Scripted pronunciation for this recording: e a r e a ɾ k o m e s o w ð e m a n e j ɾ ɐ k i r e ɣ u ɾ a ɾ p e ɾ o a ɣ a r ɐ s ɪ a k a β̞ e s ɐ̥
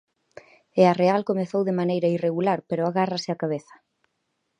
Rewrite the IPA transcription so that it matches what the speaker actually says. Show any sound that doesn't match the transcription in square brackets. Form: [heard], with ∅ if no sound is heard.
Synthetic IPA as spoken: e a r e a [l] k o m e [θ] o w ð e m a n e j ɾ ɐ [∅] i r e ɣ u [l] a ɾ p e ɾ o a ɣ a r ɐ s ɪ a k a β̞ e [θ] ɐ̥